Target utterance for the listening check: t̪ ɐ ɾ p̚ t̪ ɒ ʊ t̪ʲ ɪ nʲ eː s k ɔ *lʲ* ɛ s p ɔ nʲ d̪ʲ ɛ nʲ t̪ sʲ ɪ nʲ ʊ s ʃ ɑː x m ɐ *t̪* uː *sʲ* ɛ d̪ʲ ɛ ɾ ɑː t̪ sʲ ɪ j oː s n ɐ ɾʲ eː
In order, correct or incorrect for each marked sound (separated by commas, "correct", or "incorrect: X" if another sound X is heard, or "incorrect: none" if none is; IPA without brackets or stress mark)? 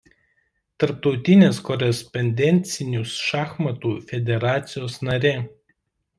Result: incorrect: ɾʲ, correct, incorrect: fʲ